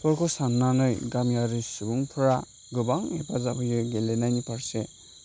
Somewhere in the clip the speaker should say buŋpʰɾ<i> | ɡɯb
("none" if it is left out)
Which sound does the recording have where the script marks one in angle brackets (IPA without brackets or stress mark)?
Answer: a